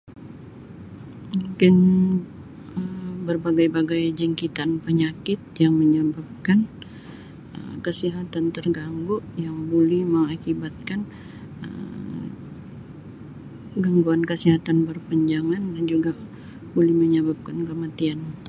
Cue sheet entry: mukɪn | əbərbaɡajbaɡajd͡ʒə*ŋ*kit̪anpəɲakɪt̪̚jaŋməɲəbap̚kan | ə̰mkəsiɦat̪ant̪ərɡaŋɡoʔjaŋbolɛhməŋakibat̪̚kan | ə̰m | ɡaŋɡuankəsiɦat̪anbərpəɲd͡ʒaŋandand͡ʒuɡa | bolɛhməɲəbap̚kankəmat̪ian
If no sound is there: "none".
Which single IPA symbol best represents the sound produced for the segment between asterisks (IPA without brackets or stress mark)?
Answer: ŋ